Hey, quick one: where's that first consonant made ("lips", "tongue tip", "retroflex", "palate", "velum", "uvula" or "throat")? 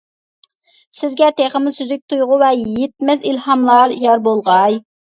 tongue tip